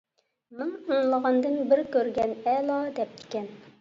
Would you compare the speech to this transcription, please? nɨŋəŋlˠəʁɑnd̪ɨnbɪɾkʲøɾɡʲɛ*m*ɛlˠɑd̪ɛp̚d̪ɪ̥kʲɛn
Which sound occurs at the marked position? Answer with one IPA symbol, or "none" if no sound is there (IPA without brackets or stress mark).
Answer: n